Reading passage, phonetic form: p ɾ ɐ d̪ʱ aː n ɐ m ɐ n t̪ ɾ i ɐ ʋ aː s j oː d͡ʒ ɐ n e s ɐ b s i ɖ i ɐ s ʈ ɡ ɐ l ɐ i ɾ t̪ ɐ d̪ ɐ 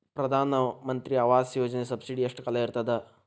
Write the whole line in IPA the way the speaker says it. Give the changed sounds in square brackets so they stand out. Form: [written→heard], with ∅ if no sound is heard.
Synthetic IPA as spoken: p ɾ ɐ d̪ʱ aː n ɐ m ɐ n t̪ ɾ i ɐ ʋ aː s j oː d͡ʒ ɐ n e s ɐ b s i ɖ i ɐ [s→ʂ] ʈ [ɡ→k] ɐ l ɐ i ɾ t̪ ɐ d̪ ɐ